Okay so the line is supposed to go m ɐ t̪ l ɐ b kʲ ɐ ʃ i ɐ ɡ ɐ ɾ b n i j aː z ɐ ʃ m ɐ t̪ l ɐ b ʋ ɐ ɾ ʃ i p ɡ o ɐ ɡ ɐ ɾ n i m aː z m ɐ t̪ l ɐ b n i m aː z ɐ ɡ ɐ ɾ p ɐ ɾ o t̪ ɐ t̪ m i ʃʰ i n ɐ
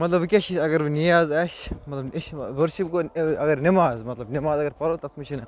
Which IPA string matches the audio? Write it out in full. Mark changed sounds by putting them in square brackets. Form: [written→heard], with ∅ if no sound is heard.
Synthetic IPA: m ɐ t̪ l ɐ b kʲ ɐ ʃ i ɐ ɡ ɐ ɾ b n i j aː z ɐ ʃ m ɐ t̪ l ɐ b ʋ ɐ ɾ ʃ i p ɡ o ɐ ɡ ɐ ɾ n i m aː z m ɐ t̪ l ɐ b n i m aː z ɐ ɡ ɐ ɾ p ɐ ɾ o t̪ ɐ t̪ m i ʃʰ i n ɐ